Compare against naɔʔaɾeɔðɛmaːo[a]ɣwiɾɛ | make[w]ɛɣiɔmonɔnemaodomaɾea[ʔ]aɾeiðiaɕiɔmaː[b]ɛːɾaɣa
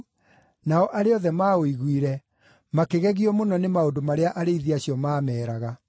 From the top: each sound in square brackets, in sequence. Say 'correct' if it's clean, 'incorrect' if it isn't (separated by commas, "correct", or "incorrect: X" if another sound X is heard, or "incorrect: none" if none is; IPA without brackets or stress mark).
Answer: incorrect: i, incorrect: ɣ, correct, incorrect: m